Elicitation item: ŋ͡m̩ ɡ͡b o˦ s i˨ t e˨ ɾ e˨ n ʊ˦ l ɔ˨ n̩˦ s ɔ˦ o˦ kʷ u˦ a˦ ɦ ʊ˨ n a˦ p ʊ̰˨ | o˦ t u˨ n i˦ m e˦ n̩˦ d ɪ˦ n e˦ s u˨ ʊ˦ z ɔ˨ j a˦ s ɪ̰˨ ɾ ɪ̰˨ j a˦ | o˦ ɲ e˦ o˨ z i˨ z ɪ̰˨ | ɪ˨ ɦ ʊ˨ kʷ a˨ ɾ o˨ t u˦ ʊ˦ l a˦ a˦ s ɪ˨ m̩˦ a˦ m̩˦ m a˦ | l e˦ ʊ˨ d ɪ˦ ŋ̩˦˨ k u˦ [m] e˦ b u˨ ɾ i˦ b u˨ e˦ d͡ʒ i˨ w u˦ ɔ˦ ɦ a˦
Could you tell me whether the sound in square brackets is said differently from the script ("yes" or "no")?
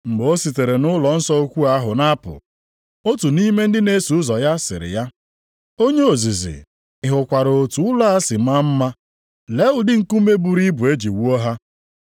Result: no